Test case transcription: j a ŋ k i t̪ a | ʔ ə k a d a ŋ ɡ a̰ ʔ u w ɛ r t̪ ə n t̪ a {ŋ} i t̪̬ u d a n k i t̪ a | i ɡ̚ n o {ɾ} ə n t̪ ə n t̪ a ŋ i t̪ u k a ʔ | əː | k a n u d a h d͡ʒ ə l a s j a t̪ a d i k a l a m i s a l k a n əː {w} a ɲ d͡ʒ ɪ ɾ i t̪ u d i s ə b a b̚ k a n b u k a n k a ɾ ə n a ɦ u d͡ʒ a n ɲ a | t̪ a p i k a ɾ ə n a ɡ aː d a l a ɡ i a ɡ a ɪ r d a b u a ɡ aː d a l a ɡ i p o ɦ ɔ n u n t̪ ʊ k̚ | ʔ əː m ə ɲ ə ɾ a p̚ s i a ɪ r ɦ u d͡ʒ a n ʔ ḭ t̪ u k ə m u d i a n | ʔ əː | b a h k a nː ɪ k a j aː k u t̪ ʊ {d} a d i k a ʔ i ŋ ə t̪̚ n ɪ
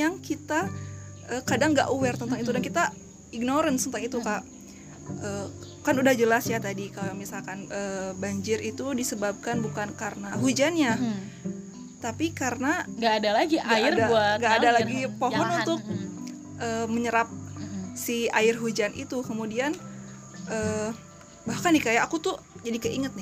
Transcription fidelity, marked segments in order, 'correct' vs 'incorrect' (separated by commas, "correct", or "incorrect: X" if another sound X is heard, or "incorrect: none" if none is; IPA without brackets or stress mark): correct, correct, incorrect: b, incorrect: d͡ʒ